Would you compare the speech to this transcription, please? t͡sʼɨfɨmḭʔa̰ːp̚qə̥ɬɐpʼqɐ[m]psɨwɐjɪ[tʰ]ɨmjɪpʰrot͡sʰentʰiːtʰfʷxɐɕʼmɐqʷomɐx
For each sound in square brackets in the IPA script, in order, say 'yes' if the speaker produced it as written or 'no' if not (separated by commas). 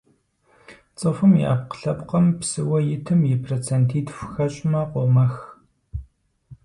yes, yes